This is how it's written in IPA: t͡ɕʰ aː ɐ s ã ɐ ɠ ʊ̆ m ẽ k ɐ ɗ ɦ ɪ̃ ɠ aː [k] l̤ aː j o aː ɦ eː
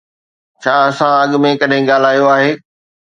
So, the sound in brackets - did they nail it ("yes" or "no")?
no